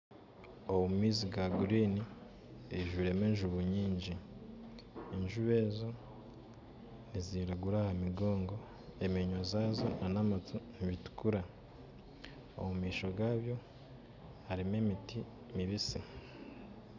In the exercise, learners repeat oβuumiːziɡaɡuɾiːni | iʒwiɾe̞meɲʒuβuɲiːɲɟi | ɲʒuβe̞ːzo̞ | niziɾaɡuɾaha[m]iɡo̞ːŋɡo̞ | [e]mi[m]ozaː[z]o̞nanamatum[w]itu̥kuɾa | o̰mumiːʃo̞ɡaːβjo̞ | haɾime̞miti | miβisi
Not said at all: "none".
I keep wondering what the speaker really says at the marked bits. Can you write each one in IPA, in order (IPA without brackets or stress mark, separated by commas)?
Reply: m, e, ɲ, z, β